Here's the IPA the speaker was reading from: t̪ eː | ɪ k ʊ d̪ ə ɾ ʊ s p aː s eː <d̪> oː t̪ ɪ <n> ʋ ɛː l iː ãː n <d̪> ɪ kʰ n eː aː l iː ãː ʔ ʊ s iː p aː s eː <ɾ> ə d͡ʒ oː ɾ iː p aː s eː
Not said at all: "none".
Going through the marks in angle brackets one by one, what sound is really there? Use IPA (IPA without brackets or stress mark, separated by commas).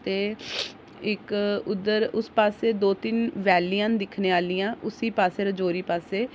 d̪, n, d̪, ɾ